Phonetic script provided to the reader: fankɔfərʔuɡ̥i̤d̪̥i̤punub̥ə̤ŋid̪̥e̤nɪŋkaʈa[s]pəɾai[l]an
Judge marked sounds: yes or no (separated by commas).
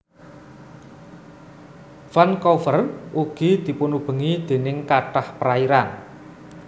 no, no